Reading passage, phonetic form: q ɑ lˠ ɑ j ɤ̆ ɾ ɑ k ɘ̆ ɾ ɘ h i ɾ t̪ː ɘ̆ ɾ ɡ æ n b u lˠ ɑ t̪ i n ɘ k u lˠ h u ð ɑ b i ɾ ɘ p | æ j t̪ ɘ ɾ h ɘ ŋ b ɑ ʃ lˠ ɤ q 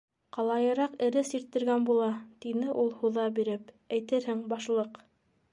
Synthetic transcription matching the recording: q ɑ lˠ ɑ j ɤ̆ ɾ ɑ q ɘ̆ ɾ ɘ s i ɾ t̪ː ɘ̆ ɾ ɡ æ n b u lˠ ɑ t̪ i n ɘ ʔ u lˠ h u ð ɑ b i ɾ ɘ p | æ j t̪ ɘ ɾ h ɘ ŋ b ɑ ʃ lˠ ɤ q